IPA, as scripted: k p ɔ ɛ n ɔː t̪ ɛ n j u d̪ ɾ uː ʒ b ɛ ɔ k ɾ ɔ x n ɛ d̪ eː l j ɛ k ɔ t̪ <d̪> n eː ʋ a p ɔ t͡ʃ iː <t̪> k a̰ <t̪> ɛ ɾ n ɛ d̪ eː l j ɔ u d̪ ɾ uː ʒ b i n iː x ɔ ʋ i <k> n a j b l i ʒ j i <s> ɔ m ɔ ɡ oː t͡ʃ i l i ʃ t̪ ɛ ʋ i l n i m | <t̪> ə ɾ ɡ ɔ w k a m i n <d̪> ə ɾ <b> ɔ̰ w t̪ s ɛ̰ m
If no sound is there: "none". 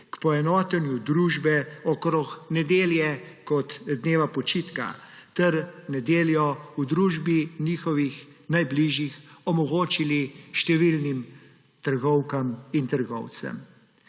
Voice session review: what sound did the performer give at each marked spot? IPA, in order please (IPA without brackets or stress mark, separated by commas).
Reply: d̪, t̪, t̪, x, x, t̪, t̪, ɡ